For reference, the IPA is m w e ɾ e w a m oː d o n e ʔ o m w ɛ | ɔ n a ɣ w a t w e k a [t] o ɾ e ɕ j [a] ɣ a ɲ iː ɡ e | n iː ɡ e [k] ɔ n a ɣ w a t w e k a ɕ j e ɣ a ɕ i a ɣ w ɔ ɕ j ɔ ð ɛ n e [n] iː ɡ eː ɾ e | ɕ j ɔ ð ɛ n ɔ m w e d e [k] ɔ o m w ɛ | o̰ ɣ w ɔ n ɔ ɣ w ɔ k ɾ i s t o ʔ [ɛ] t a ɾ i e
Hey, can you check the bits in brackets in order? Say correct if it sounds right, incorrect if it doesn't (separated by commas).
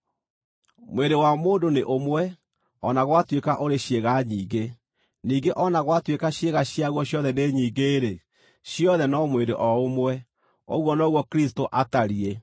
incorrect, incorrect, incorrect, incorrect, incorrect, incorrect